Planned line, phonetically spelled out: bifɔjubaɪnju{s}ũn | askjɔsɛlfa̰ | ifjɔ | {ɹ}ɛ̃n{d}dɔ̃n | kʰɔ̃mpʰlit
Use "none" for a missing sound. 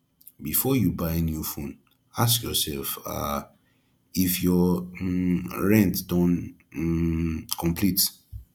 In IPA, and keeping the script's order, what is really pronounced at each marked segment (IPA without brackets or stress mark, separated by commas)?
f, ɹ, t